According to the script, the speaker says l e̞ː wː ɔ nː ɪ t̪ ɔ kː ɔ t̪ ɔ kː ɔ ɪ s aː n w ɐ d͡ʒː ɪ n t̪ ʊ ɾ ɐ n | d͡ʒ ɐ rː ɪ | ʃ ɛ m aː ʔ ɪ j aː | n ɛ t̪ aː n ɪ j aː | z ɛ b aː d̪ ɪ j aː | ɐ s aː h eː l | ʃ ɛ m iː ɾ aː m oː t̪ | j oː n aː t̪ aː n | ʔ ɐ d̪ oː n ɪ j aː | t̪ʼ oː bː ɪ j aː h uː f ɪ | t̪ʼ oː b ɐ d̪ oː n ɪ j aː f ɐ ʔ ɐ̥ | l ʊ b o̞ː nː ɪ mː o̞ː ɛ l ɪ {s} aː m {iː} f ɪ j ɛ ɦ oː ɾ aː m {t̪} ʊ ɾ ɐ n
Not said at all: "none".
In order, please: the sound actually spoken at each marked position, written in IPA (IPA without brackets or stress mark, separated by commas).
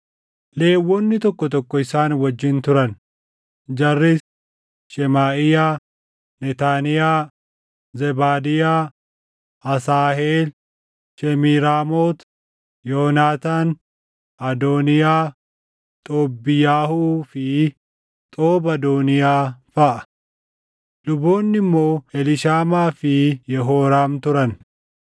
ʃ, aː, t̪